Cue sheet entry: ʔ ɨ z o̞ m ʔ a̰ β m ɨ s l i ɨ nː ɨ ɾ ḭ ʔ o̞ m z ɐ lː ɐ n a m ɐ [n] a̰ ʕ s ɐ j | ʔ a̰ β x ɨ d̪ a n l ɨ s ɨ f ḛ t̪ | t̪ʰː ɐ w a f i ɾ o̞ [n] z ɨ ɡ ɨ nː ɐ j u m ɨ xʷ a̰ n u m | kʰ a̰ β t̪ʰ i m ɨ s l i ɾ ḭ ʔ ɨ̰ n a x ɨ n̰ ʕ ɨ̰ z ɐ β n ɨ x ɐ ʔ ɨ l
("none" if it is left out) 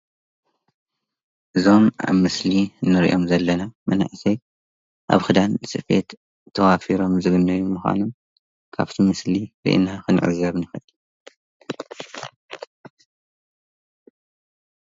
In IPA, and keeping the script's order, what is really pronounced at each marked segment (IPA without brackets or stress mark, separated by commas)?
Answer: n, m